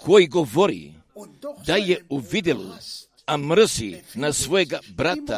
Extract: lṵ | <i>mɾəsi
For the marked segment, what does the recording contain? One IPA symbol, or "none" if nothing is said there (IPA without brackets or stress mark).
a